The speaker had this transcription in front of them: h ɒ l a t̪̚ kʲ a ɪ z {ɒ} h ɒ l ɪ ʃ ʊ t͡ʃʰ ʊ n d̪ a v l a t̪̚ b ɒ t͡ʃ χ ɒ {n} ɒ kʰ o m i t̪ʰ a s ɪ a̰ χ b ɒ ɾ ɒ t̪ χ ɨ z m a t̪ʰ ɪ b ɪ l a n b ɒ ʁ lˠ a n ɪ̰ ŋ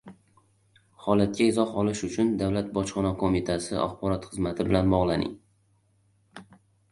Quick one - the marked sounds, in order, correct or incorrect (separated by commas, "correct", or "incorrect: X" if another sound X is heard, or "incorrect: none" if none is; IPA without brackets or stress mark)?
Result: correct, correct